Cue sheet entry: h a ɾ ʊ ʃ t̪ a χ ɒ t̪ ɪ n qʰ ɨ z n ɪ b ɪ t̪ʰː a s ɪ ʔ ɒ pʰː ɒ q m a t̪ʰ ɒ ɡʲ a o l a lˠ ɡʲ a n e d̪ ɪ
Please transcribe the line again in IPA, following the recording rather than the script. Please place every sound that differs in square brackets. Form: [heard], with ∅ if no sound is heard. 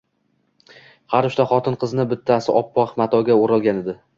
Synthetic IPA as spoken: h a ɾ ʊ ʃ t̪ a χ ɒ t̪ ɪ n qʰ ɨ z n ɪ b ɪ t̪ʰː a s ɪ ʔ ɒ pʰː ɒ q m a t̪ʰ ɒ ɡʲ a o [ɾ] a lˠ ɡʲ a n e d̪ ɪ